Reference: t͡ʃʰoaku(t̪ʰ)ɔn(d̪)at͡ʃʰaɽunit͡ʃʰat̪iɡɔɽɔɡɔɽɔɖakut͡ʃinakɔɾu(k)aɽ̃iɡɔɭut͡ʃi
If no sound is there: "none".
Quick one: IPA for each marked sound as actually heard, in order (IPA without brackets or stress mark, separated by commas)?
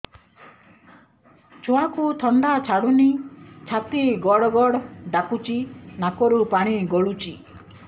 t̪ʰ, d̪, p